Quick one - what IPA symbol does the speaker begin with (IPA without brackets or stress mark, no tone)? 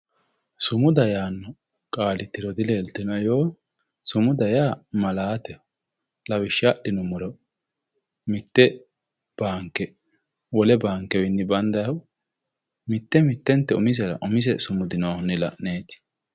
s